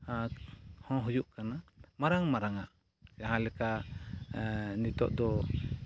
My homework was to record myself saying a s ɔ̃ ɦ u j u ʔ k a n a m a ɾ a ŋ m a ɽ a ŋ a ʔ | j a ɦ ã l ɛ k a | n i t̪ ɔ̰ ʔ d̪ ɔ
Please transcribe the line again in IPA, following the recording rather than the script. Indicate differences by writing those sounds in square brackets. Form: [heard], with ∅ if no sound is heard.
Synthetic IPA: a [h] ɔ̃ ɦ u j u ʔ k a n a m a ɾ a ŋ m a [ɾ] a ŋ a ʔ | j a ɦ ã l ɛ k a | n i t̪ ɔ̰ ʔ d̪ ɔ